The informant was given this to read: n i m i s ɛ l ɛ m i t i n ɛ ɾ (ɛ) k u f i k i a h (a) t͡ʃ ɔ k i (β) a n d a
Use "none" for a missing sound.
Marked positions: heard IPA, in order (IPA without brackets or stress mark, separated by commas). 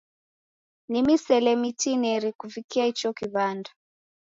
i, i, β